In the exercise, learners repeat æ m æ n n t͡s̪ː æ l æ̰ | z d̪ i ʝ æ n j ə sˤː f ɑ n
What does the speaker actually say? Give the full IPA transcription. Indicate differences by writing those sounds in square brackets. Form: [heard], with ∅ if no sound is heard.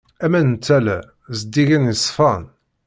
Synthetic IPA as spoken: æ m æ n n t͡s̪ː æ l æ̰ | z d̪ i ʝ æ n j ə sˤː f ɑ n